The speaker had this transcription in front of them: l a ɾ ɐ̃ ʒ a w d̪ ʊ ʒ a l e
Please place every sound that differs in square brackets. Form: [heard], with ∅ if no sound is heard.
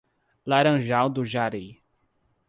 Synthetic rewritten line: l a ɾ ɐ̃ ʒ a w d̪ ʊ ʒ a [ɾ] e

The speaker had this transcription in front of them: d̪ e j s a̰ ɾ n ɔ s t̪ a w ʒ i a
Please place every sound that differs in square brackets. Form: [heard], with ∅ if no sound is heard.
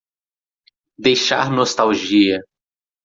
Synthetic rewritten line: d̪ e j [ʃ] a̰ ɾ n [o] s t̪ a w ʒ i [ɐ]

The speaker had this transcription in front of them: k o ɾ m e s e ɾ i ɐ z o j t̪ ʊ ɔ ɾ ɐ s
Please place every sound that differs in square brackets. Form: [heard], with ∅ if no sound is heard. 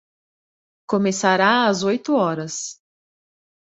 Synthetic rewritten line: k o [∅] m e s [a] ɾ [a] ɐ z o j t̪ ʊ ɔ ɾ ɐ s

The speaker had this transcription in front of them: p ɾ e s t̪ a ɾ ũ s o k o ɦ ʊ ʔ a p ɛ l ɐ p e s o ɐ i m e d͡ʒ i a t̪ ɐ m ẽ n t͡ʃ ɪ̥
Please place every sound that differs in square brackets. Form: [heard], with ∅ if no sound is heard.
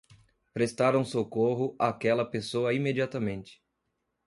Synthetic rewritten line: p ɾ e s t̪ a ɾ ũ s o k o ɦ ʊ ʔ a [k] ɛ l ɐ p e s o ɐ i m e d͡ʒ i a t̪ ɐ m ẽ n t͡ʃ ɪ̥

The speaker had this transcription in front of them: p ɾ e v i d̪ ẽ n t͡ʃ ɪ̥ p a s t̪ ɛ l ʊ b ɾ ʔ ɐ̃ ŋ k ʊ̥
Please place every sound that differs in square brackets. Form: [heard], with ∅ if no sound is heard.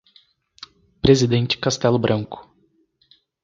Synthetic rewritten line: p ɾ e [z] i d̪ ẽ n t͡ʃ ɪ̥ [k] a s t̪ ɛ l ʊ b ɾ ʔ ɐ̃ ŋ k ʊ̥

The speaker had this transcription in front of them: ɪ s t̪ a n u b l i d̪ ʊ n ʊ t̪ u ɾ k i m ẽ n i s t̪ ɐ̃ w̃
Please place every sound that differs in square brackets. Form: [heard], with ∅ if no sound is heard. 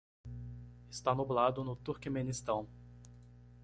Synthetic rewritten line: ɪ s t̪ a n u b l [a] d̪ ʊ n ʊ t̪ u ɾ k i m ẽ n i s t̪ ɐ̃ w̃

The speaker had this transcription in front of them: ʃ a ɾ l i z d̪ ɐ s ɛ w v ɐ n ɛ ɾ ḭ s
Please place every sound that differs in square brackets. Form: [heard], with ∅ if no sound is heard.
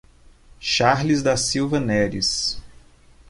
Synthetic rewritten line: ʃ a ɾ l i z d̪ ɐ s [i] w v ɐ n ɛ ɾ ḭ s

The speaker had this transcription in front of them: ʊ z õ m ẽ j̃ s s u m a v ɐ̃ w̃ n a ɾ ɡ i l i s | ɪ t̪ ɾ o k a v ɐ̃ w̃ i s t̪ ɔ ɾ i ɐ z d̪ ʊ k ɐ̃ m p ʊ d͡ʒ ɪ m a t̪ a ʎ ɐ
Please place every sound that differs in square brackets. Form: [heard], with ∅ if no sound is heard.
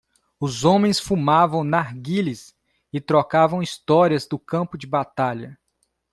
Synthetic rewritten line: ʊ z õ m ẽ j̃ s [f] u m a v ɐ̃ w̃ n a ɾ ɡ i l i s | ɪ t̪ ɾ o k a v ɐ̃ w̃ i s t̪ ɔ ɾ i ɐ z d̪ ʊ k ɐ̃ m p ʊ d͡ʒ ɪ [b] a t̪ a ʎ ɐ

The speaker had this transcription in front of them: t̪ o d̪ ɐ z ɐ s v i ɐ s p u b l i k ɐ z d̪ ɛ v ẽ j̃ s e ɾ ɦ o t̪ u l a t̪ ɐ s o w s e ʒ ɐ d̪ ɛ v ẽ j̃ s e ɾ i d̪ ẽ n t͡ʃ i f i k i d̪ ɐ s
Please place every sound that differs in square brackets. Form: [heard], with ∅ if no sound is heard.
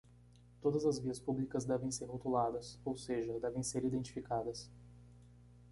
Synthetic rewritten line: t̪ o d̪ ɐ z ɐ [z] v i ɐ s p u b l i k ɐ z d̪ ɛ v ẽ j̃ s e ɾ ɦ o t̪ u l a [d̪] ɐ s o w s e ʒ ɐ d̪ ɛ v ẽ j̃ s e ɾ i d̪ ẽ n t͡ʃ i f i k [a] d̪ ɐ s

